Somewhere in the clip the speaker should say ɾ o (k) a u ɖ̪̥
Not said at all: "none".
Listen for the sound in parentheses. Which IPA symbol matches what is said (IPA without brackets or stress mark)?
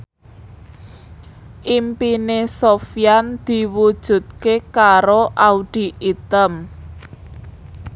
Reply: ʔ